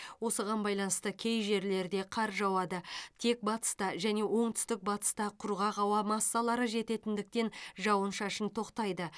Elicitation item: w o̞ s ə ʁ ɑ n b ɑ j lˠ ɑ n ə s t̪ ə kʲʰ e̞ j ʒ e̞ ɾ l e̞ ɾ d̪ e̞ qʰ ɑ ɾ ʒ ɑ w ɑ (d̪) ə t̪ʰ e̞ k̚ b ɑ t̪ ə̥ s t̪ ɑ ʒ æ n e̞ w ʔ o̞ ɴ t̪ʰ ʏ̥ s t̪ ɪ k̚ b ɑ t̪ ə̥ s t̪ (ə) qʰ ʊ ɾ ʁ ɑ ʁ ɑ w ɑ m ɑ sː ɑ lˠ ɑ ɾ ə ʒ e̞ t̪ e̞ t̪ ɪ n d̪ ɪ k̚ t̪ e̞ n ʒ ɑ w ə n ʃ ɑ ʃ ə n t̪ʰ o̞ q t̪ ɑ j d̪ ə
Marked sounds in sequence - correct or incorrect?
correct, incorrect: ɑ

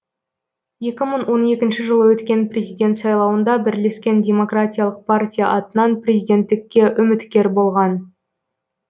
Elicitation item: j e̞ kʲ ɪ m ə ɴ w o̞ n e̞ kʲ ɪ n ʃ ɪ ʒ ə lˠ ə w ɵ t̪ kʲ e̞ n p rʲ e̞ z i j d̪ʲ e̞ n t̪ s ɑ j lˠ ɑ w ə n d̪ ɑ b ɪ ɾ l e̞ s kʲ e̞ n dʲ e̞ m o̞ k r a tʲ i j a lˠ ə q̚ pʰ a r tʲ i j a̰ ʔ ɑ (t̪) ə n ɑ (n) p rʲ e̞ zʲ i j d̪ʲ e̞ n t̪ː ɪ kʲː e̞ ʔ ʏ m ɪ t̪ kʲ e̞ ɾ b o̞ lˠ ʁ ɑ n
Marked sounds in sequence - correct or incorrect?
correct, correct

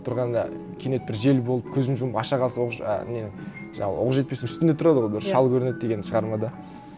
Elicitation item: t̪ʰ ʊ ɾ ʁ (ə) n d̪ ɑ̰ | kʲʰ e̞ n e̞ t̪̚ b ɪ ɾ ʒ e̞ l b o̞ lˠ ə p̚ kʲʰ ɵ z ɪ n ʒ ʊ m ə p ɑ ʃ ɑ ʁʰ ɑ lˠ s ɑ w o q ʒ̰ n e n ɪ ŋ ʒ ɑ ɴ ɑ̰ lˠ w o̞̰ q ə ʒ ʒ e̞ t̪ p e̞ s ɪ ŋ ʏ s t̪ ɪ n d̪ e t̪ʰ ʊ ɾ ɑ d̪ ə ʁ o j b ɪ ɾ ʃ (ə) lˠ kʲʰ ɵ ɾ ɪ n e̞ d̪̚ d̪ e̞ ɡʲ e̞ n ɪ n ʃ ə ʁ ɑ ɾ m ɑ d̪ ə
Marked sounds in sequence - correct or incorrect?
incorrect: ɑ, incorrect: ɑ

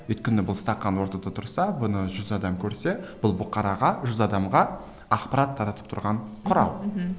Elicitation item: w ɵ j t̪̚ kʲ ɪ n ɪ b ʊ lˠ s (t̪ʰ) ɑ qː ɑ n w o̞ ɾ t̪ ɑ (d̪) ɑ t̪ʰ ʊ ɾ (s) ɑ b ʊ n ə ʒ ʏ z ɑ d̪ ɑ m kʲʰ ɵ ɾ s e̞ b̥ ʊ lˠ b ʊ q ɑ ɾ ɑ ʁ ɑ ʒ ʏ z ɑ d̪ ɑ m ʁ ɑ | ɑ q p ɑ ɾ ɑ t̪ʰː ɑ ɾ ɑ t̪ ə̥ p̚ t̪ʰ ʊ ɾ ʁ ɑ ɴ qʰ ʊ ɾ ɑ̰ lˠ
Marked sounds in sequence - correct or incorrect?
incorrect: t̪, correct, correct

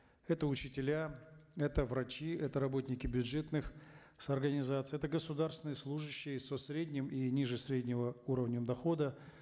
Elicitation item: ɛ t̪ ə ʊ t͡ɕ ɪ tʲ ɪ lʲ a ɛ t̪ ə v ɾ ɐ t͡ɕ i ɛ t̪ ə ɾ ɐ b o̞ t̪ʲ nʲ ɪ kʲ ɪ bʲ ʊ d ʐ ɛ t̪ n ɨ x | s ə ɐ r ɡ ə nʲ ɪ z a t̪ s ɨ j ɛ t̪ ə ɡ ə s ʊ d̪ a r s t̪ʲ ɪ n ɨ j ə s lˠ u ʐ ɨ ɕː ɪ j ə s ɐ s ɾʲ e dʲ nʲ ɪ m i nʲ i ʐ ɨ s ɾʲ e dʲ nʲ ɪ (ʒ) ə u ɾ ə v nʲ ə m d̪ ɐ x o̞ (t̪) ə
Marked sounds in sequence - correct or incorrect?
incorrect: v, incorrect: d̪

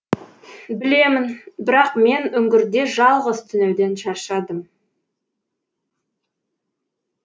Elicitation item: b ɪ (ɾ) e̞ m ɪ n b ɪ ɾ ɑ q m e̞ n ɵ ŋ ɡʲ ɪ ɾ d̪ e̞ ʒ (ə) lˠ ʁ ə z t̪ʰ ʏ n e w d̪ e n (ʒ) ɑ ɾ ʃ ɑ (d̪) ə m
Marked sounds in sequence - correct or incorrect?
incorrect: l, incorrect: ɑ, incorrect: ʃ, correct

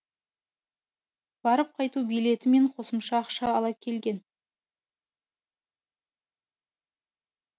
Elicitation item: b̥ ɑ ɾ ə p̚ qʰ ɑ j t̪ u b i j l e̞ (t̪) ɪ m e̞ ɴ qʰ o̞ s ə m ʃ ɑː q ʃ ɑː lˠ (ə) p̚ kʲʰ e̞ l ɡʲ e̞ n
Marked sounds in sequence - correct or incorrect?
correct, incorrect: ɑ

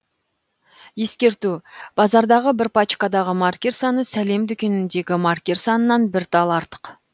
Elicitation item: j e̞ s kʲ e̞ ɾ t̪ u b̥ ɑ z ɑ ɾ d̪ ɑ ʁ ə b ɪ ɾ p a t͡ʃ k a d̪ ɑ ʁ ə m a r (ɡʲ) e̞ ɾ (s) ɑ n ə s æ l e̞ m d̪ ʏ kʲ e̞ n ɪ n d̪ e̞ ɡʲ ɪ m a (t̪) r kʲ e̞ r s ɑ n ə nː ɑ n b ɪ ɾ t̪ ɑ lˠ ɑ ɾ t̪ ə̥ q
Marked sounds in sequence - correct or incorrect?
incorrect: kʲ, correct, incorrect: none

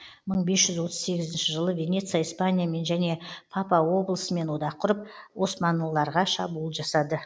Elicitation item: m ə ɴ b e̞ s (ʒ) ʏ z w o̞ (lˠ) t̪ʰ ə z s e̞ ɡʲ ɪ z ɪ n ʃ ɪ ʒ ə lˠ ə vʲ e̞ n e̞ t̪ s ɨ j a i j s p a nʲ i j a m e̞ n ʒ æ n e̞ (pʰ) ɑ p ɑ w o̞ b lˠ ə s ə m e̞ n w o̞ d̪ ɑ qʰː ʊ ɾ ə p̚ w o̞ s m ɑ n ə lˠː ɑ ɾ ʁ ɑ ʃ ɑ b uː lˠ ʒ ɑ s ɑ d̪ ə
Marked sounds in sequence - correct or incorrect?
correct, incorrect: none, correct

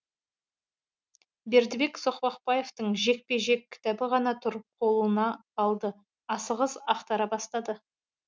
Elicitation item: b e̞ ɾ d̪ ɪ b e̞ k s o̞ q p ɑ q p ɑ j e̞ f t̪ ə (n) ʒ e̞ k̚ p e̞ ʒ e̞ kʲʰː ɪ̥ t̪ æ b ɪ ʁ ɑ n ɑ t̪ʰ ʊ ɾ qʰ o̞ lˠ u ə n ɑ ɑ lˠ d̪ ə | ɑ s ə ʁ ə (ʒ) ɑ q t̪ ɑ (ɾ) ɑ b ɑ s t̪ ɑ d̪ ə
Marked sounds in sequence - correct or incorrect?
incorrect: ɴ, incorrect: z, correct

